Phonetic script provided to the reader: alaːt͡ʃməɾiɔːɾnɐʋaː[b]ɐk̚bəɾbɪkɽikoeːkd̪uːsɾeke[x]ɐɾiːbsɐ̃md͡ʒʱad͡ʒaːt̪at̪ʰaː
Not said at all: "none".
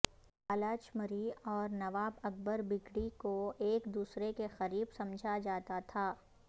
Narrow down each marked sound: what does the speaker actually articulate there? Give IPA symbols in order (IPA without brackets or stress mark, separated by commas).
b, x